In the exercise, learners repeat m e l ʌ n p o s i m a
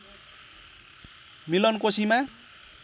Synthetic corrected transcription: m i l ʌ n k o s i m a